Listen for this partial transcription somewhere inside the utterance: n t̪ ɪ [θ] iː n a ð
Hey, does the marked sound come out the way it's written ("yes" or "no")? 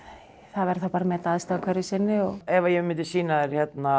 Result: no